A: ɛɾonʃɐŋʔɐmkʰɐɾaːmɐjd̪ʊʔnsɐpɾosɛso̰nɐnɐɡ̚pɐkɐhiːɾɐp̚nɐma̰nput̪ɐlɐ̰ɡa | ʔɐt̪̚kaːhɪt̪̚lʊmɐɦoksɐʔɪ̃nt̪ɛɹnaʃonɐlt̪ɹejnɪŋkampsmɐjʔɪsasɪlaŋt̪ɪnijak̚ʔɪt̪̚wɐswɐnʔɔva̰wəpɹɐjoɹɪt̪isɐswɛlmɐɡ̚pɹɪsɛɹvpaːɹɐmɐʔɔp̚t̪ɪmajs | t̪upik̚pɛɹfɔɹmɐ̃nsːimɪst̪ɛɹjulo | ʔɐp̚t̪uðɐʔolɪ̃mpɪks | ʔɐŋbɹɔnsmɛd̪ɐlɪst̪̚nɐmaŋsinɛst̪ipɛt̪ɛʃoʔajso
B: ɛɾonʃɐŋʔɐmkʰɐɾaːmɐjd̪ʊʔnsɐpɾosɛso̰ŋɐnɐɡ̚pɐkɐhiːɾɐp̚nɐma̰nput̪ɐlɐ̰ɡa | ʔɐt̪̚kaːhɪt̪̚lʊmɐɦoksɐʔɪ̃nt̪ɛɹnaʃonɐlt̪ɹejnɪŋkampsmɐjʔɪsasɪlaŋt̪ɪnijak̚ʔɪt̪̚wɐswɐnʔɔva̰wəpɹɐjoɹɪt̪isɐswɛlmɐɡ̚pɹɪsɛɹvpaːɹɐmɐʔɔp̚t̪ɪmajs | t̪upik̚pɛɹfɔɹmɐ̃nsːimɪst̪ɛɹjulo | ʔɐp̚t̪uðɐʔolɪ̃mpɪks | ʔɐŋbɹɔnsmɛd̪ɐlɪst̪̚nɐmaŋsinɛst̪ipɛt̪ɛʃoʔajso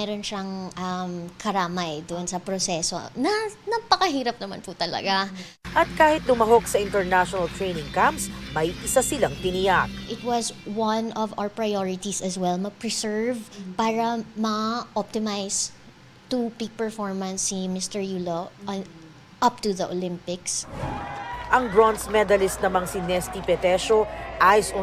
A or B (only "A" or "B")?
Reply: A